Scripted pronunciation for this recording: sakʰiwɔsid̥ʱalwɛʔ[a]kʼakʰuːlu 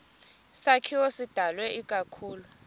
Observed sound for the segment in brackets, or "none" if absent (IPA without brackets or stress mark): i